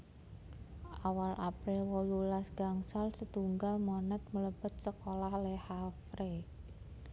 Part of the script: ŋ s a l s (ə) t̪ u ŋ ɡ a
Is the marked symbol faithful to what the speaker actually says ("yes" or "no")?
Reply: yes